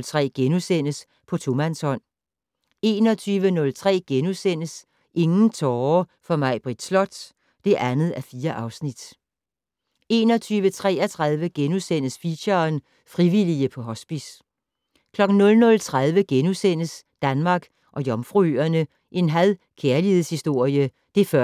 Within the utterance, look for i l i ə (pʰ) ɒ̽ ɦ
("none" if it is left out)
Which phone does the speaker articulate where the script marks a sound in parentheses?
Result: pʰ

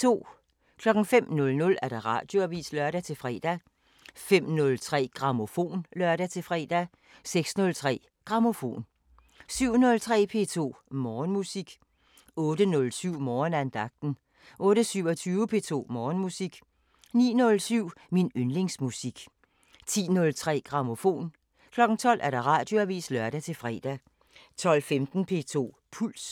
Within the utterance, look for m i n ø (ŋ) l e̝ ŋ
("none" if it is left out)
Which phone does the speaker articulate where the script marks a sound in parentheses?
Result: n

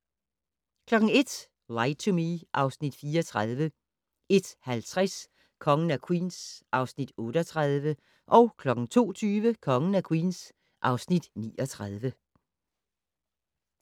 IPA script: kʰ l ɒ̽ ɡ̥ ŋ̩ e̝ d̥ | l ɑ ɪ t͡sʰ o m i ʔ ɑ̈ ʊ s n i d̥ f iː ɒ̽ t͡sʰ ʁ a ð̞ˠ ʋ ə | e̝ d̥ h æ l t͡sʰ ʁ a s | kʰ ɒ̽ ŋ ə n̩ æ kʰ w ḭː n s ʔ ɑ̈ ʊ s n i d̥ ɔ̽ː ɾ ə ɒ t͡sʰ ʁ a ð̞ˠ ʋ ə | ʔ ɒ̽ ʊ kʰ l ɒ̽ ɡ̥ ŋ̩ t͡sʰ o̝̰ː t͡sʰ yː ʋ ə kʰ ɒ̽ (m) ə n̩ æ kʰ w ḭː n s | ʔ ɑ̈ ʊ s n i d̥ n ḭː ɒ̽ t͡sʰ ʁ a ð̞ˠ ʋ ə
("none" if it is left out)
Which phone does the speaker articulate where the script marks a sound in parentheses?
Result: ŋ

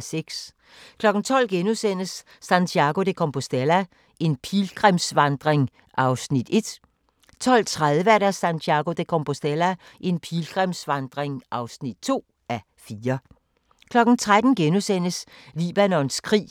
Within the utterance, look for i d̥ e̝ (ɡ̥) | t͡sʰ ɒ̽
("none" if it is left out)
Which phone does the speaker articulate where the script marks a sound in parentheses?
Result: d̥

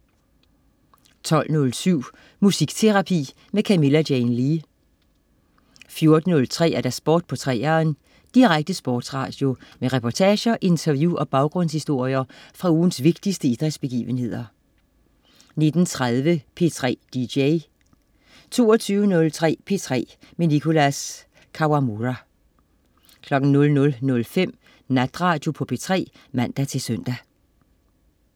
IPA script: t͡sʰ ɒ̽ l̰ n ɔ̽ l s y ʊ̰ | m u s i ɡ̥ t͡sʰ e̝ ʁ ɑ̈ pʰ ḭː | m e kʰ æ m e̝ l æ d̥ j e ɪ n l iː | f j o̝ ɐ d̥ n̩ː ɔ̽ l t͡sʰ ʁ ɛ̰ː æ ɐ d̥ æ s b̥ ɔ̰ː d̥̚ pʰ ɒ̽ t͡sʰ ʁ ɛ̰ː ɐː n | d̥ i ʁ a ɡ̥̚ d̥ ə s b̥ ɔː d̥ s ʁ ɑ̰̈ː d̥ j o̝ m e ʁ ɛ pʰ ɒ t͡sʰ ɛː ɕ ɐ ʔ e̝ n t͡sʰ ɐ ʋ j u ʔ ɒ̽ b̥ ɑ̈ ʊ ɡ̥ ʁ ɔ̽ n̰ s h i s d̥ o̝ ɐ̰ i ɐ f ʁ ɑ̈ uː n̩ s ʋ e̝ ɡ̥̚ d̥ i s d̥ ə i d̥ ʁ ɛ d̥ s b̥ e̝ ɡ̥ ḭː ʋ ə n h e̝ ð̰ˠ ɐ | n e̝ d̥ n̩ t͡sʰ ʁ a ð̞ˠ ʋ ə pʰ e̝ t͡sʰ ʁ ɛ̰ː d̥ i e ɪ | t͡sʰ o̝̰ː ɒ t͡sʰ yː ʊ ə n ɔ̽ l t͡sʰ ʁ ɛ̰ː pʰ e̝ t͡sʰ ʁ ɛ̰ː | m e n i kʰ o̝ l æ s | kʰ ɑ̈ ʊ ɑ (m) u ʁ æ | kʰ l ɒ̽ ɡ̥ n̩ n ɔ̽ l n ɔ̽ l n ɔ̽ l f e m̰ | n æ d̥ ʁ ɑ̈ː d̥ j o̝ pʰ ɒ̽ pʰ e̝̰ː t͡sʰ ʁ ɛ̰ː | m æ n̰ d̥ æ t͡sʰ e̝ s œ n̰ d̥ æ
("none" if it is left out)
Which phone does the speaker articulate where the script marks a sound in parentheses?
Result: m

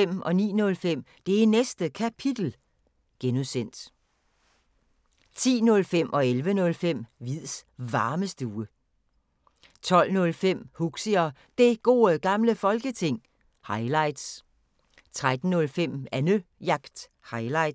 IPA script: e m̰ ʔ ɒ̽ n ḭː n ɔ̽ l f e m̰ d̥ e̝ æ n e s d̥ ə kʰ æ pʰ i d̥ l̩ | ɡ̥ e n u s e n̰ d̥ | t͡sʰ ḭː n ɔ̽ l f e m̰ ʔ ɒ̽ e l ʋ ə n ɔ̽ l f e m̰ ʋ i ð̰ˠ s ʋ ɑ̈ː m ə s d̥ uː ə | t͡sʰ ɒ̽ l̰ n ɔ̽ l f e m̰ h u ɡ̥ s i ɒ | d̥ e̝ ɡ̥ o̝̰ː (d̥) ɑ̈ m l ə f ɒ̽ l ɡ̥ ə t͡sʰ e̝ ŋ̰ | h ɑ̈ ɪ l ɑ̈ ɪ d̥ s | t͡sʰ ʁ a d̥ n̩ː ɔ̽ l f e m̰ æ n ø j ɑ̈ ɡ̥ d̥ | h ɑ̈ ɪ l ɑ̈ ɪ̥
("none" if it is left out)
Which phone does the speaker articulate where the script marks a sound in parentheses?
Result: ɡ̥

